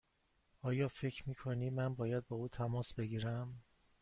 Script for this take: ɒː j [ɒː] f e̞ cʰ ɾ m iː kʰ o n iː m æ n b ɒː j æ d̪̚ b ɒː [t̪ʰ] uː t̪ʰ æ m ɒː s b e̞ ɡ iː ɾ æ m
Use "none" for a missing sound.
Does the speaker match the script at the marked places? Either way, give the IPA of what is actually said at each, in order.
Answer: ɒː, none

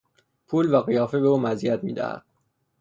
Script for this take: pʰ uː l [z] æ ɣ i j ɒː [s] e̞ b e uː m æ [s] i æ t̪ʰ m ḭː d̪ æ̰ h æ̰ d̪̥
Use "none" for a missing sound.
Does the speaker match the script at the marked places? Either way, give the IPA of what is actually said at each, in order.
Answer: v, f, z

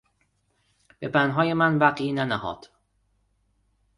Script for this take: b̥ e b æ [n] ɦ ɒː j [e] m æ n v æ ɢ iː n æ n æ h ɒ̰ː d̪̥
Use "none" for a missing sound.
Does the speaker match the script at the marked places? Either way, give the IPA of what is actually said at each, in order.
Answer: n, e

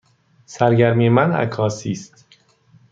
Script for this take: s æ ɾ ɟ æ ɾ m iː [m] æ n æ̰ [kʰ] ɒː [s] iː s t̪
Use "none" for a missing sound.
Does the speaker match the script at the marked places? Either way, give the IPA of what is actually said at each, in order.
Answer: m, kʰ, s

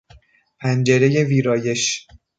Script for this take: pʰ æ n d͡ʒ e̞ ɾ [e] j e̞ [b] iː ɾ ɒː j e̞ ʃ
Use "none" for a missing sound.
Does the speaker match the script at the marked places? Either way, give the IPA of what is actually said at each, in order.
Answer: e, v

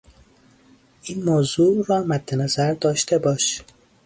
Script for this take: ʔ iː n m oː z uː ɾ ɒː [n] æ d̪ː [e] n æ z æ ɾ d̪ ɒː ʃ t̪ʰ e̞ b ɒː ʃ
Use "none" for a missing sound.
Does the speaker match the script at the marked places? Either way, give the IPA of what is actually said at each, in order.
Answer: m, e

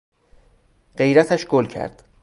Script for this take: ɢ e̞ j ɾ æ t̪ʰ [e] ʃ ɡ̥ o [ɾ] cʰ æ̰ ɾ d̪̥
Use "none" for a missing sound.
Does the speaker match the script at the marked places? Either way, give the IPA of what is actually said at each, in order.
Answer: æ, l

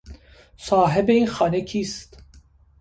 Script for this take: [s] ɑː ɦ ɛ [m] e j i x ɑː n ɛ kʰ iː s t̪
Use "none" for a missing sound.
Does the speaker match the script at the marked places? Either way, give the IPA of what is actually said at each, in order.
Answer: s, b

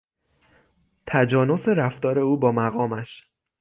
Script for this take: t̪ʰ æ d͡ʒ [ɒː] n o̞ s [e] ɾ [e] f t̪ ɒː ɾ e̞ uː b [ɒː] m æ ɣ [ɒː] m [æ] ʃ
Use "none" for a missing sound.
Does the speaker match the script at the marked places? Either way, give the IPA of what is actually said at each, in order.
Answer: ɒː, e, æ, ɒː, ɒː, æ

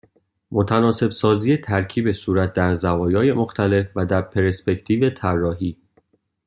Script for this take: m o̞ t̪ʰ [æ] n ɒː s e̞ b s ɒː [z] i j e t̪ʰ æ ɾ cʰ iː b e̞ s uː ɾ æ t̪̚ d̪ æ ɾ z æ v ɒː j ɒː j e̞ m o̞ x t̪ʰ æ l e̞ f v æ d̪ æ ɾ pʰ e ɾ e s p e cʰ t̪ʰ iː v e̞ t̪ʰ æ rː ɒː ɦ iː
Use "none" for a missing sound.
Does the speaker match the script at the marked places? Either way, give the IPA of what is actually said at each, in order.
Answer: æ, z

